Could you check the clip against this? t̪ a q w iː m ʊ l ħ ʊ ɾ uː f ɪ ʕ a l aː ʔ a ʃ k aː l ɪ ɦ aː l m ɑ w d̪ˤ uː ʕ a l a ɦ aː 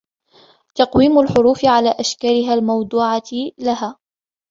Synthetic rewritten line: t̪ ɑ q w iː m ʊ l ħ ʊ ɾ uː f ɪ ʕ a l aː ʔ a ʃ k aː l ɪ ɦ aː l m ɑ w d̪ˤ uː ʕ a l a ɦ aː